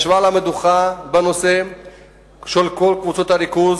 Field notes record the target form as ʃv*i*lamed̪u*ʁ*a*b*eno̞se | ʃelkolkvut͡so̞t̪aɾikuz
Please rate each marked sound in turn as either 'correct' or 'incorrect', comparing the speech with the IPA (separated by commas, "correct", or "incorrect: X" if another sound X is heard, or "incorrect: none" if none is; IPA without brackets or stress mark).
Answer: incorrect: a, incorrect: χ, correct